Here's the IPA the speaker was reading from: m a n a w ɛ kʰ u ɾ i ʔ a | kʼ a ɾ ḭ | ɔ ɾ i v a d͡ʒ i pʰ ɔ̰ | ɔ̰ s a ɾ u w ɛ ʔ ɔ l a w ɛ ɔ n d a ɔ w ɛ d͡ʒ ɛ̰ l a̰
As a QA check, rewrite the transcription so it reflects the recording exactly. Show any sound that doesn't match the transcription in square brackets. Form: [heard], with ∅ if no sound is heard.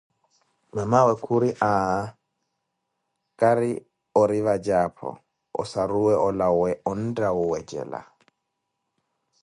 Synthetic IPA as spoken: m a [m] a w ɛ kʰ u ɾ i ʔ a | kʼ a ɾ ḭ | ɔ ɾ i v a d͡ʒ [a] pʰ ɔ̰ | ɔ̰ s a ɾ u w ɛ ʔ ɔ l a w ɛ ɔ n d a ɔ w ɛ d͡ʒ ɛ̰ l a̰